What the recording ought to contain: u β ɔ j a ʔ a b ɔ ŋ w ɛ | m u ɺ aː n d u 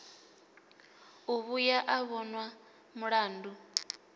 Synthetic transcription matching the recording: u β u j a ʔ a β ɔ n w a | m u ɺ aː n d u